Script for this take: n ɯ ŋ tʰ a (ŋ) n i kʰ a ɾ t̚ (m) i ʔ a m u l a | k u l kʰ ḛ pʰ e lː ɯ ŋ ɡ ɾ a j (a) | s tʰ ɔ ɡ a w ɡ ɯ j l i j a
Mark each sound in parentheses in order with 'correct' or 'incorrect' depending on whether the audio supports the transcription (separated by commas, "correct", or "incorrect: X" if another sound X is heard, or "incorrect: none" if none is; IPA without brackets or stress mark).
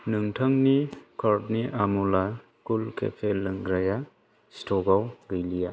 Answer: correct, incorrect: n, correct